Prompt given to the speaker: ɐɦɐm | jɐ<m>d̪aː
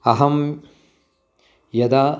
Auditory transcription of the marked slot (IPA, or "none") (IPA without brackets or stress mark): none